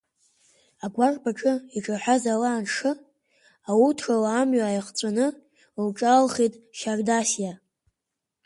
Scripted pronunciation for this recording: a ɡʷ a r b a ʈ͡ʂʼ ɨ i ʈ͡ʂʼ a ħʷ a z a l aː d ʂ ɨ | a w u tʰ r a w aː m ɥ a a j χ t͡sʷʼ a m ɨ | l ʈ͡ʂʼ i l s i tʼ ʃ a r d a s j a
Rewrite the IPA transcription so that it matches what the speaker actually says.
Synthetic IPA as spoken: a ɡʷ a r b a ʈ͡ʂʼ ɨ i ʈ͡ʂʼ a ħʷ a z a l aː n ʂ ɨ | a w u tʰ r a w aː m ɥ a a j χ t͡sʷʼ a n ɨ | l ʈ͡ʂʼ a l χ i tʼ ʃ a r d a s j a